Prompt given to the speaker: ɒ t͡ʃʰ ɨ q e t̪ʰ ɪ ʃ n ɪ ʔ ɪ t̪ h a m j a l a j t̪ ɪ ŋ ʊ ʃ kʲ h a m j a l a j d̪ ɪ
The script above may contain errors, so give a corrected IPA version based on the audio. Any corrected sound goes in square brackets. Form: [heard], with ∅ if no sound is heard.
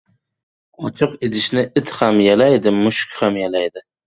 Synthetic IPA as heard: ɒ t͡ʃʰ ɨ q e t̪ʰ ɪ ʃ n ɪ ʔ ɪ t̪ h a m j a l a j [d̪] ɪ [m] ʊ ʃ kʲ h a m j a l a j d̪ ɪ